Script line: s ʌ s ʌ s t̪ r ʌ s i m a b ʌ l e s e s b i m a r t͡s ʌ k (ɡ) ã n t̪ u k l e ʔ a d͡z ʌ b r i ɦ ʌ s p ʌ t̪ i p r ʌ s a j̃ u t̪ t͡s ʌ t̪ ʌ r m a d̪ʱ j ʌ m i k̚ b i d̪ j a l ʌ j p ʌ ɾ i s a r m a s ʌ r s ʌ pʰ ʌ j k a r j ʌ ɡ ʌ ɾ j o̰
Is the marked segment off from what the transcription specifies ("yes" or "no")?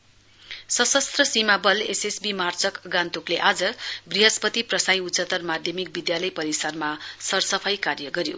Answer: no